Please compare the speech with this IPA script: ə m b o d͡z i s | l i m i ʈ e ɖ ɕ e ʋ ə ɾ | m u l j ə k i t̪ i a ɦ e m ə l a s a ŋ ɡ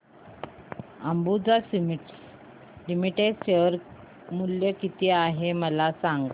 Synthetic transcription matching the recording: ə m b u d͡z a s | l i m i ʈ e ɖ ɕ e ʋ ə ɾ | m u l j ə k i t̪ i a ɦ e m ə l a s a ŋ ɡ